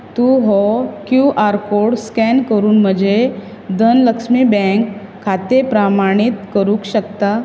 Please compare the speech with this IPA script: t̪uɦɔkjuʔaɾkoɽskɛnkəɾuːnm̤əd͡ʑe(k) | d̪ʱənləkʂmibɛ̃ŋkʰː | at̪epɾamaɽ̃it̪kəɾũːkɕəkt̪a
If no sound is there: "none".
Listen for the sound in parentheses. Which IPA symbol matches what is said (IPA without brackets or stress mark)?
none